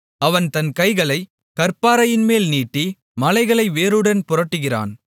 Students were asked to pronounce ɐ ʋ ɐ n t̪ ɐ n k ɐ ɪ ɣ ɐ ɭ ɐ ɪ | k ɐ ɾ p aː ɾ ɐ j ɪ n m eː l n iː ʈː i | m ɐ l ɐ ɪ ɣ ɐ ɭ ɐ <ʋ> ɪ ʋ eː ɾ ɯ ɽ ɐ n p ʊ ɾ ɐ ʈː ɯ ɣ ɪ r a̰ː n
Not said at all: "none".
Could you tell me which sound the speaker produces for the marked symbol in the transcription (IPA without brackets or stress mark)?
none